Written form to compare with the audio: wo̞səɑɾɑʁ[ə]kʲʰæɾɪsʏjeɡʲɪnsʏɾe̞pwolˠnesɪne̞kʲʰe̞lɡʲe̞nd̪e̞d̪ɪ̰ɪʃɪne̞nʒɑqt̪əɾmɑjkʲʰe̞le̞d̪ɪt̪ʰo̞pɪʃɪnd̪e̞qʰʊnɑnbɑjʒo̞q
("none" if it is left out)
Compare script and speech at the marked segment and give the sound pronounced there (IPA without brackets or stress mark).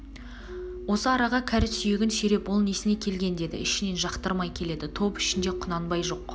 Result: ɑ